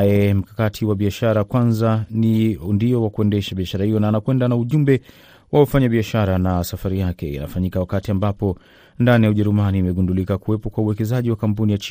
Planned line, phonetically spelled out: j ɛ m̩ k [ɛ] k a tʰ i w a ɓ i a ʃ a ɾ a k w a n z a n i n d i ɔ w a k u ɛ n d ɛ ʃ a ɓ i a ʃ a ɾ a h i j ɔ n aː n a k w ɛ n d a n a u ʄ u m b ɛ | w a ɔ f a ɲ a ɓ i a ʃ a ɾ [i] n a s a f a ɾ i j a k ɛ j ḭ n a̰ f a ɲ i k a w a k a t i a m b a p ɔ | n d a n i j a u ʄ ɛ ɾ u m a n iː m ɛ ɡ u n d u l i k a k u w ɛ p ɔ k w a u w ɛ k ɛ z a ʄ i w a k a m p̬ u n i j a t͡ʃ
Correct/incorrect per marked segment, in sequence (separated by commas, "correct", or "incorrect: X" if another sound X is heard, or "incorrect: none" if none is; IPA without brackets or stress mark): incorrect: a, incorrect: a